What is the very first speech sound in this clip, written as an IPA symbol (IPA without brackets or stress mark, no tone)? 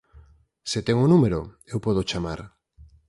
s